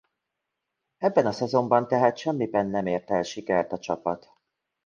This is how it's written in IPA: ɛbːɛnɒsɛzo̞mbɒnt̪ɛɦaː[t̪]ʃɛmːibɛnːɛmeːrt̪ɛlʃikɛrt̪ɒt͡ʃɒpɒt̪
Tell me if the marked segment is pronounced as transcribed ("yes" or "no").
yes